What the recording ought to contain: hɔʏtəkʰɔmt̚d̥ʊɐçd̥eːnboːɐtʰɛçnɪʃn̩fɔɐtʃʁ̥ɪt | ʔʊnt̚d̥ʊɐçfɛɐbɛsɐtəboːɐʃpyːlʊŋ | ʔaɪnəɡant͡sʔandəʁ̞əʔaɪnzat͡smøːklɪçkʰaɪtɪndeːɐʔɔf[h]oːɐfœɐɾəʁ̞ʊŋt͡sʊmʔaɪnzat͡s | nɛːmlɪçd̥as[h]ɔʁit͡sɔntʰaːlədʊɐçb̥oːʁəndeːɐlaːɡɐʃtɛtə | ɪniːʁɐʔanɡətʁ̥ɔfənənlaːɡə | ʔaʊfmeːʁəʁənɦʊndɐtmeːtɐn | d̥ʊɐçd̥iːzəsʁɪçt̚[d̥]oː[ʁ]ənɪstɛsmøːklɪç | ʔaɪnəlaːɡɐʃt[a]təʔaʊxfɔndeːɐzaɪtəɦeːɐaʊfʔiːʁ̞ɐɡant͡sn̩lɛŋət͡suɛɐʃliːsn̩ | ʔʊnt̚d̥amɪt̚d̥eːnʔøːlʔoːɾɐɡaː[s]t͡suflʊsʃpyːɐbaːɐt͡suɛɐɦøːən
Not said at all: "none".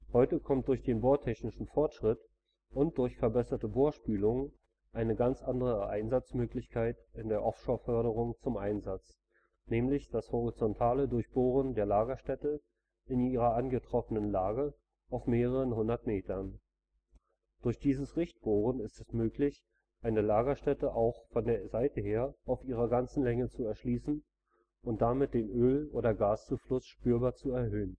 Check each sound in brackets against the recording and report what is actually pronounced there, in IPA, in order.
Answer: ʃ, h, b̥, ʁ, ɛ, s

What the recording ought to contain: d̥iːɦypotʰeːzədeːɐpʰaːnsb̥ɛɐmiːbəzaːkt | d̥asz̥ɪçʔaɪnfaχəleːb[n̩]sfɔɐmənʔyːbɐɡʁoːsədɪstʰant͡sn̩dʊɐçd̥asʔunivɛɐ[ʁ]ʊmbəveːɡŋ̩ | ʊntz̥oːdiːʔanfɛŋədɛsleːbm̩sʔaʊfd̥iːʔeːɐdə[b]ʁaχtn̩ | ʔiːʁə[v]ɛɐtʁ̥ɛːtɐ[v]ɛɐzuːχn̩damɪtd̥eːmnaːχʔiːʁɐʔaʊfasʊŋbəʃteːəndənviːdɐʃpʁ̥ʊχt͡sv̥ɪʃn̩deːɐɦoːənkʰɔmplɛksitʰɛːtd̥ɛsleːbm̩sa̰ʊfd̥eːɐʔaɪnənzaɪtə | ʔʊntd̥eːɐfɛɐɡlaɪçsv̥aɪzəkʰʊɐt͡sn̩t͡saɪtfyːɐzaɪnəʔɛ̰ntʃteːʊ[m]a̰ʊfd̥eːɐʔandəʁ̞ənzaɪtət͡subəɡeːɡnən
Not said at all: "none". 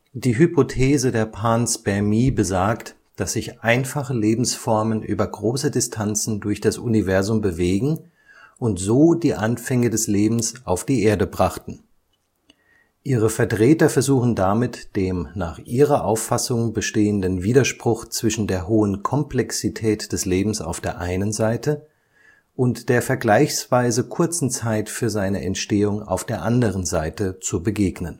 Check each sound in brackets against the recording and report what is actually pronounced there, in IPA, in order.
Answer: m̩, z, b, f, f, ŋ

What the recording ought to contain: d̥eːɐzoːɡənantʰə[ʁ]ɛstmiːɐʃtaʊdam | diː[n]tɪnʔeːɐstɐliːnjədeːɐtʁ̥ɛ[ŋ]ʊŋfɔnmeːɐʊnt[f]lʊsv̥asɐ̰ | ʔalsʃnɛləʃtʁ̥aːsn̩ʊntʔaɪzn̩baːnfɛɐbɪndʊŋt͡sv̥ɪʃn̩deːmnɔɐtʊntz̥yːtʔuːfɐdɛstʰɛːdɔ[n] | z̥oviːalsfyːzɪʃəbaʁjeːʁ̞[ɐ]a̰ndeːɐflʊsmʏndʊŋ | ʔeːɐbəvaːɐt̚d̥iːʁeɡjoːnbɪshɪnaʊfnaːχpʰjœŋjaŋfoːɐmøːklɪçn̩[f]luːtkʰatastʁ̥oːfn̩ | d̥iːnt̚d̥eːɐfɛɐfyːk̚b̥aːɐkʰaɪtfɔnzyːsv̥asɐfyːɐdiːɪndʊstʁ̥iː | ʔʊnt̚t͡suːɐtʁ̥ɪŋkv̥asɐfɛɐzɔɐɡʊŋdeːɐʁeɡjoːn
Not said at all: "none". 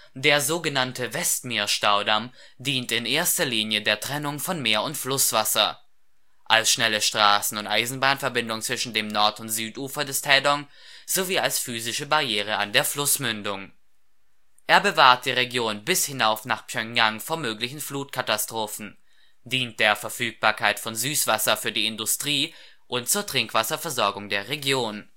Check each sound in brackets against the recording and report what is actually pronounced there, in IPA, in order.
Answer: v, n, n, f, ŋ, ə, f

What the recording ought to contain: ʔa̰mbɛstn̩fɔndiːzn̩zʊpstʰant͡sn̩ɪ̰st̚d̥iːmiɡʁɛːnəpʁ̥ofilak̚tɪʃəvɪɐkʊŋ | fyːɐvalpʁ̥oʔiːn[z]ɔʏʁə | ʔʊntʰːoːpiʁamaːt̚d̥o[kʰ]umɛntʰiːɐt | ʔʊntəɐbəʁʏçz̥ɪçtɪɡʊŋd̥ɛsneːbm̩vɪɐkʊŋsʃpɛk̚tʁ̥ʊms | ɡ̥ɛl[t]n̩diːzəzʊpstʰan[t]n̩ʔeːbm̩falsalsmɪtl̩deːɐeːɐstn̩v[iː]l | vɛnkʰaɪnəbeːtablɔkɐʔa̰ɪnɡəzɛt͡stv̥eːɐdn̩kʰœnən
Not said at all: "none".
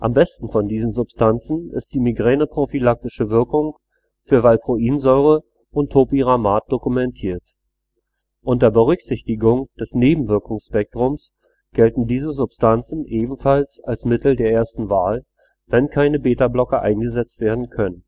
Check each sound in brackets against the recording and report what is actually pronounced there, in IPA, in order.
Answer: z, k, t, t͡s, aː

